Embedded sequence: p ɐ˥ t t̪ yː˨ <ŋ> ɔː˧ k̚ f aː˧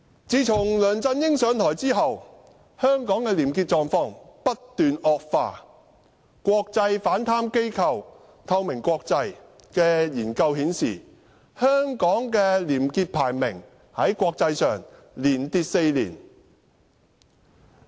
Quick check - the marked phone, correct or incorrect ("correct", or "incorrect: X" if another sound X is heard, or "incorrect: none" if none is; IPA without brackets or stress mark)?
incorrect: n